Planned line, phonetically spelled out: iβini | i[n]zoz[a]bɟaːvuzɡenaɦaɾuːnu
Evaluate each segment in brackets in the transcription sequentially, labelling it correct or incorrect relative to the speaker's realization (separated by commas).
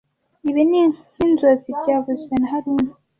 correct, incorrect